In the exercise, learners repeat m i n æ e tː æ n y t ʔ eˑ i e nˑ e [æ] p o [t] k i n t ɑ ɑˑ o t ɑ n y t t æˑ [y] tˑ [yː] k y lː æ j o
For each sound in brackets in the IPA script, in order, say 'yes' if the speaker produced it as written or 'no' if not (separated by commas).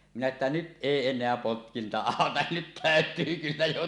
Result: yes, yes, no, yes